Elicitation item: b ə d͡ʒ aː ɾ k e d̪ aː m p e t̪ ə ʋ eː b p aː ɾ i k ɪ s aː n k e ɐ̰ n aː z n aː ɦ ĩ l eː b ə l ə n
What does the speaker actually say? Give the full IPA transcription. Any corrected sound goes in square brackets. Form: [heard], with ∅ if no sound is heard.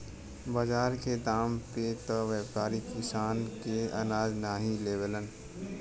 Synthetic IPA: b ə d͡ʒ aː ɾ k e d̪ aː m p e t̪ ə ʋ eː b p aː ɾ i k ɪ s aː n k e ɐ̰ n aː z n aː ɦ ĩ l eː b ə l ə n